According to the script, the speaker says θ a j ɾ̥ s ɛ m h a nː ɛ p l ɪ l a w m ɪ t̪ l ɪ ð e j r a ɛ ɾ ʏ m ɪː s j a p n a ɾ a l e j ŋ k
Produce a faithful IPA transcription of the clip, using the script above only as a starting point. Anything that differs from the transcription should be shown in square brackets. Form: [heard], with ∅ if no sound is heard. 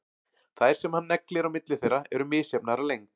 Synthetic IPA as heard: θ a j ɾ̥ s ɛ m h a nː ɛ [k] l ɪ [ɾ] a w m ɪ t̪ l ɪ [θ] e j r a ɛ ɾ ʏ m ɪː s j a p n a ɾ a l e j ŋ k